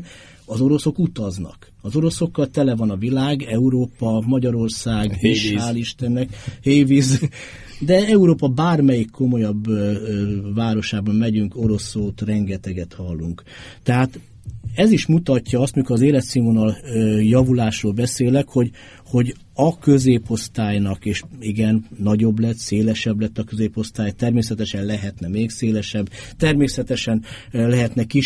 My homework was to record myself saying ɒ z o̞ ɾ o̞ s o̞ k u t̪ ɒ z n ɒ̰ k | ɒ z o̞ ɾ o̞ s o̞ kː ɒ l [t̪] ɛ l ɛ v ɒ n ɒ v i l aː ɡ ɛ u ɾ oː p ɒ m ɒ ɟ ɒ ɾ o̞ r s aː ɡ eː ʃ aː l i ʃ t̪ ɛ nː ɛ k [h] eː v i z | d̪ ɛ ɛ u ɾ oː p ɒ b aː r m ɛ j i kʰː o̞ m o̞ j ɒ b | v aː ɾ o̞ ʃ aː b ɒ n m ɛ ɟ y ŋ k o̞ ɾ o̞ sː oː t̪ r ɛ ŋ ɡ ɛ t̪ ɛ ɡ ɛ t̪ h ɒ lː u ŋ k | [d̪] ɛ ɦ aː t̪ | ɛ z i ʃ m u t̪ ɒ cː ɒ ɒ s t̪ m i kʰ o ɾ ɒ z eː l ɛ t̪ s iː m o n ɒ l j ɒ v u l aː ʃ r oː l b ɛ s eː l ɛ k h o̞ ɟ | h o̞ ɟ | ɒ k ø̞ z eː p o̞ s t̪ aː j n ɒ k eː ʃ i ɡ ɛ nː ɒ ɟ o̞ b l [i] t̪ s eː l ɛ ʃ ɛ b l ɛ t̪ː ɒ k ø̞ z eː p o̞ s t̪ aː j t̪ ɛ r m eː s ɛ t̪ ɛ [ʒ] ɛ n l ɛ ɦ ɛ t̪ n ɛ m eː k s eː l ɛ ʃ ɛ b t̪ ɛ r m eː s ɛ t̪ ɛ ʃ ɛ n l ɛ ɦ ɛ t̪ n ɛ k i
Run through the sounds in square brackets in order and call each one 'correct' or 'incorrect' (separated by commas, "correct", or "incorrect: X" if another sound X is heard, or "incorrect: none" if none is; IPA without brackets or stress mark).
correct, correct, incorrect: t̪, incorrect: ɛ, incorrect: ʃ